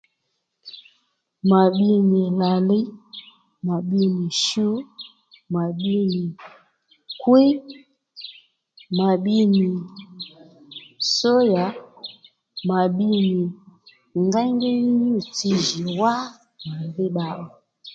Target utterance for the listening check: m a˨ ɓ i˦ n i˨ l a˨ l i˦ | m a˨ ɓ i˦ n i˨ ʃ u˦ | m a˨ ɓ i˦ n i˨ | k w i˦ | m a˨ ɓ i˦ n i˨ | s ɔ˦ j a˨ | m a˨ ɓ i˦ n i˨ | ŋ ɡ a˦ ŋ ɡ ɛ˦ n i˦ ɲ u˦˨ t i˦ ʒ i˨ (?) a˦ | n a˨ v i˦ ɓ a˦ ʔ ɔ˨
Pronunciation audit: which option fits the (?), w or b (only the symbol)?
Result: w